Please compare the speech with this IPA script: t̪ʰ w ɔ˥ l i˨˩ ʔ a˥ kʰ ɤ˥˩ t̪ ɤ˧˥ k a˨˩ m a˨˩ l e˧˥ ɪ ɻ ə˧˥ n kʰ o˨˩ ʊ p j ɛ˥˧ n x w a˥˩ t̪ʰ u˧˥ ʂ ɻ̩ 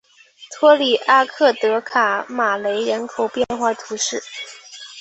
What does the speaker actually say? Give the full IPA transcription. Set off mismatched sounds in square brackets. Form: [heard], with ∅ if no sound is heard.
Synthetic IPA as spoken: t̪ʰ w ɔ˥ l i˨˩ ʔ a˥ kʰ ɤ˥˩ t̪ ɤ˧˥ [kʰ] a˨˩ m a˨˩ l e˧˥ ɪ ɻ ə˧˥ n kʰ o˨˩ ʊ p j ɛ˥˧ n x w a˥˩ t̪ʰ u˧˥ ʂ ɻ̩